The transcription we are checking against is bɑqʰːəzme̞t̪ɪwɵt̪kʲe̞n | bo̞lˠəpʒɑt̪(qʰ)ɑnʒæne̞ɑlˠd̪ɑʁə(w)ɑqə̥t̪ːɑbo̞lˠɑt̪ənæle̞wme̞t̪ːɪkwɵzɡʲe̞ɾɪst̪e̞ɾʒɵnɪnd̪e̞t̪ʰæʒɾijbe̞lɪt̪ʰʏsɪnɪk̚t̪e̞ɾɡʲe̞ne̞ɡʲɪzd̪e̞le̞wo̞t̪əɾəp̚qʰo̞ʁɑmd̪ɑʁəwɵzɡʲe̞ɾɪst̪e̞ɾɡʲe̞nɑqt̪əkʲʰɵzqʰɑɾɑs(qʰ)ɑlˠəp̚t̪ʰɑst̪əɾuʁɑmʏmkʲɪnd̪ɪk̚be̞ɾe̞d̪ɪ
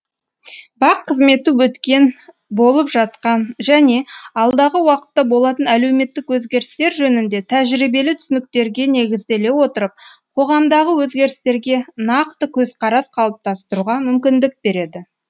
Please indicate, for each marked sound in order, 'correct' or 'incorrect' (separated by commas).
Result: incorrect, correct, correct